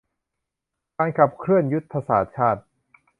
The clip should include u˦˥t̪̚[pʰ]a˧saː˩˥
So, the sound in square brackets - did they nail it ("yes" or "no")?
yes